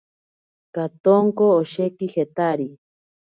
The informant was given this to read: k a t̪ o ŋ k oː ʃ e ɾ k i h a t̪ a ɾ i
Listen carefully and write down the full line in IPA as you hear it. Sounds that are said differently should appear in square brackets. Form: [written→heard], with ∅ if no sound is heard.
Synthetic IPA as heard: k a t̪ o ŋ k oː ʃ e [ɾ→∅] k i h [a→e] t̪ a ɾ i